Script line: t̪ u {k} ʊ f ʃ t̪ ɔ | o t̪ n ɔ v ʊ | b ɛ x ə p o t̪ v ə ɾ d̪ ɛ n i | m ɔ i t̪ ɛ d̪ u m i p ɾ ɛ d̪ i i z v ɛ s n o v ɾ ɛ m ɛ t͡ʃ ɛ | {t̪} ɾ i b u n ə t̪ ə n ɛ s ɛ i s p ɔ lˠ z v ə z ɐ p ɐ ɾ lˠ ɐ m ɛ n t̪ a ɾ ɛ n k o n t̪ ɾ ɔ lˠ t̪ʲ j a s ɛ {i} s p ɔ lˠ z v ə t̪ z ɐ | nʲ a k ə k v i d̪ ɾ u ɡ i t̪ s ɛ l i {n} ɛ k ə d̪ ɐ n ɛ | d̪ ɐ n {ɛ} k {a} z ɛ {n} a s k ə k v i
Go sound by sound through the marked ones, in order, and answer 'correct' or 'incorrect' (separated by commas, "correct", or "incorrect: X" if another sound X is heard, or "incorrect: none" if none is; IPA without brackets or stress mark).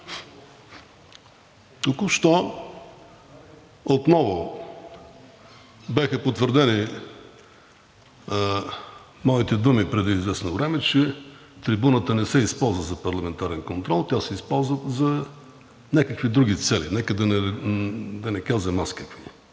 correct, correct, correct, correct, correct, correct, incorrect: m